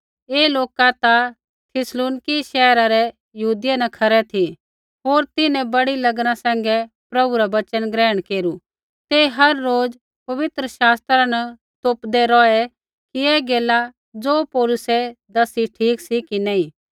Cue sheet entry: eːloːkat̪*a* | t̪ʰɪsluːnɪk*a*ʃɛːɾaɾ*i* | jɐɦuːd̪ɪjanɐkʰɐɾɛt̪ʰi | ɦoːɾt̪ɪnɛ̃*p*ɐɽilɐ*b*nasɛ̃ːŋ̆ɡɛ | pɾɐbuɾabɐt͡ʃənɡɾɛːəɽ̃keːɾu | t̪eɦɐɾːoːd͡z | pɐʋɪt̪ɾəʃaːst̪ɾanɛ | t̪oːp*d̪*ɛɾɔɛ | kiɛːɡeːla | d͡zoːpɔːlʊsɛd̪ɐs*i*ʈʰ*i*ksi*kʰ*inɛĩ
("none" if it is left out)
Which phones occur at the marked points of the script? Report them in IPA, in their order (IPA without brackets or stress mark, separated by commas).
a, i, ɛ, b, ɡ, d̪, i, iː, k